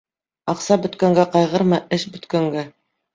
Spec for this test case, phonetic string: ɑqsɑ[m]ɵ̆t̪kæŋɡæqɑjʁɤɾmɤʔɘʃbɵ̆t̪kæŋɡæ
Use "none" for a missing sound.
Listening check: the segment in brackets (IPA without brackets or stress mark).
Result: b